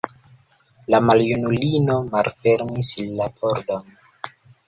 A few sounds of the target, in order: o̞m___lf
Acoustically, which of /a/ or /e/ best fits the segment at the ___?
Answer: a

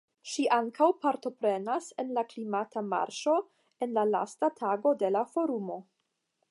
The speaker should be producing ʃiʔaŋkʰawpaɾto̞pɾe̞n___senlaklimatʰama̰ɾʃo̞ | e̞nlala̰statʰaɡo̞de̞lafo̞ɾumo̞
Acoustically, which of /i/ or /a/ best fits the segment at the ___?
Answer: a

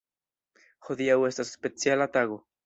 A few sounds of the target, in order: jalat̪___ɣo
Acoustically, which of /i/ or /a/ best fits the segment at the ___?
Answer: a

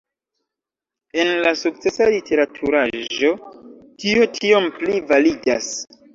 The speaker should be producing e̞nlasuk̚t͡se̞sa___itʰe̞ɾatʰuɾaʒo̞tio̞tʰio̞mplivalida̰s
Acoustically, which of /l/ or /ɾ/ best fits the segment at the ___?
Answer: l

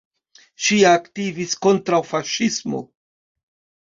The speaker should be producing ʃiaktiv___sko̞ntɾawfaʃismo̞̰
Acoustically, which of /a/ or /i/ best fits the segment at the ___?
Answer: i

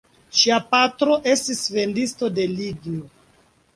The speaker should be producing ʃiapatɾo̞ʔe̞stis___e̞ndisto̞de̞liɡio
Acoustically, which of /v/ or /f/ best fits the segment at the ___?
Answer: v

